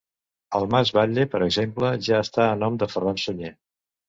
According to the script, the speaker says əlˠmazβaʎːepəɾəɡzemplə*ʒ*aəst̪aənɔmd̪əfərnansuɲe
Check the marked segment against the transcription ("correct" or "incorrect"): correct